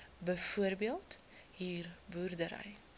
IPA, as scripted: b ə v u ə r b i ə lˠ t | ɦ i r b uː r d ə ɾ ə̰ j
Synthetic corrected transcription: b ə f u ə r b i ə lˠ t | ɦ iː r b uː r d ə ɾ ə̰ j